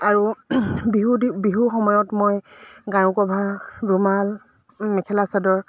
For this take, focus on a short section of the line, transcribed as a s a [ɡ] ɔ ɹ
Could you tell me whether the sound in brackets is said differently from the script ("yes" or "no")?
yes